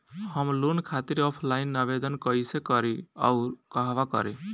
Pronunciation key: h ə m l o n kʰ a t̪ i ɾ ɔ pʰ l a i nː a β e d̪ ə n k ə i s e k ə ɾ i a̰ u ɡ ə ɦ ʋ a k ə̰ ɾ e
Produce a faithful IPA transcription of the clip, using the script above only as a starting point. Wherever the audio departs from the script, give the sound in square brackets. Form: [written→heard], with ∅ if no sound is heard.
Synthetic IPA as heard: h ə m l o n kʰ a t̪ i ɾ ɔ pʰ l a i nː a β e d̪ ə n k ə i s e k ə ɾ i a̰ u [ɡ→k] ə ɦ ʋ a k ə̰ ɾ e